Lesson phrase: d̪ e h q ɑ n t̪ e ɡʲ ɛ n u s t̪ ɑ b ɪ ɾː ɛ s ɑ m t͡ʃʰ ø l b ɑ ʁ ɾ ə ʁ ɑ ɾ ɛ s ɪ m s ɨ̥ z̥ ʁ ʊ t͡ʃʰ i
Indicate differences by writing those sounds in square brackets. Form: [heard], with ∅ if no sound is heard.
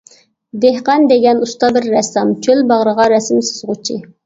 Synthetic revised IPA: d̪ e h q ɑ n [d̪] e ɡʲ ɛ n u s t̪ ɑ b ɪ ɾː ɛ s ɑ m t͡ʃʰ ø l b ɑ ʁ ɾ ə ʁ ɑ ɾ ɛ s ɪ m s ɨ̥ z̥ ʁ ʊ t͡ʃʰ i